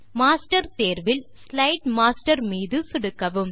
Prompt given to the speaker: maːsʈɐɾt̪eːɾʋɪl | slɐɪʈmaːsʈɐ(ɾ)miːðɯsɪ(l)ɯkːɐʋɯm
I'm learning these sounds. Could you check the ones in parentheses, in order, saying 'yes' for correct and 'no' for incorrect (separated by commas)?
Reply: yes, no